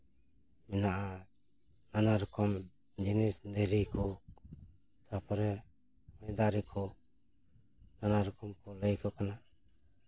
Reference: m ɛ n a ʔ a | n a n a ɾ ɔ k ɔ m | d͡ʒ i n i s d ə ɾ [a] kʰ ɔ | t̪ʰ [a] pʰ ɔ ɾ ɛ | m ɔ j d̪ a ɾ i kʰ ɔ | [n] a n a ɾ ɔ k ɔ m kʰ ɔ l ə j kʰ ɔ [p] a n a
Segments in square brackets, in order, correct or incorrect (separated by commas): incorrect, correct, correct, incorrect